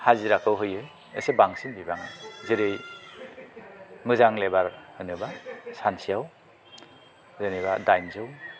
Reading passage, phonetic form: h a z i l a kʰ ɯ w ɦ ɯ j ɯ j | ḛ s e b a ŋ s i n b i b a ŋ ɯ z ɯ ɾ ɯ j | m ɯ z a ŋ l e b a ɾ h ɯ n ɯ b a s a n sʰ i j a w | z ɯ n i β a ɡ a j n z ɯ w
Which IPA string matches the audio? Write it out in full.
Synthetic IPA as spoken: h a z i ɾ a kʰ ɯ w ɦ ɯ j ɯ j | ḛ s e b a ŋ s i n b i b a ŋ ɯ z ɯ ɾ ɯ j | m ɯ z a ŋ l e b a ɾ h ɯ n ɯ b a s a n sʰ i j a w | z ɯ n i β a d a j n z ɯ w